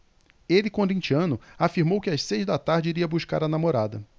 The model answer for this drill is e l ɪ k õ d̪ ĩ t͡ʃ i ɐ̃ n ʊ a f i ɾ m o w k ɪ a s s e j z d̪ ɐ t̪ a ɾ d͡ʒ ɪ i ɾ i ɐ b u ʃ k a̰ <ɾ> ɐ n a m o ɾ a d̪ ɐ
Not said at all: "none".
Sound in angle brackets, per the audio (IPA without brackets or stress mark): ɾ